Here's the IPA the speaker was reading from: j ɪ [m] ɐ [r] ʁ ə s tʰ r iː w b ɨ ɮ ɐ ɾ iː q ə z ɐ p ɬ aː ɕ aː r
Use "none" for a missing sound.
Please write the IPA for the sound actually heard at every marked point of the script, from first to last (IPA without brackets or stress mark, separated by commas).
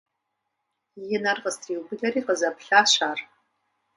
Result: n, r